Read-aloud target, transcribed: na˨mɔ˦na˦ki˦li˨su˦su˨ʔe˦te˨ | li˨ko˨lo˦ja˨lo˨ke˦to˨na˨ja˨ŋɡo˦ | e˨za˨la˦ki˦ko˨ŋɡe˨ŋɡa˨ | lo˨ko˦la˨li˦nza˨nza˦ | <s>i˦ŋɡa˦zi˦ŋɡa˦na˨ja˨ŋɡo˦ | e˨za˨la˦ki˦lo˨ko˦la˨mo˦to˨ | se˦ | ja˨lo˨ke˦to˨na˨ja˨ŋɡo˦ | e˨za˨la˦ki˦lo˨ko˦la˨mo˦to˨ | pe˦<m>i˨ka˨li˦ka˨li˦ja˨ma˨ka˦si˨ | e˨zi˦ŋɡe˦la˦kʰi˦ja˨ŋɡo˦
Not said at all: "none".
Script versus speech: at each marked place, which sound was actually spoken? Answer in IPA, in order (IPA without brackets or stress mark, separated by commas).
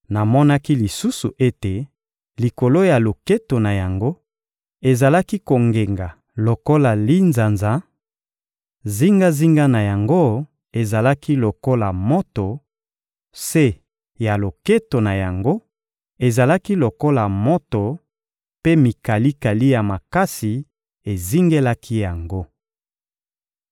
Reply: z, m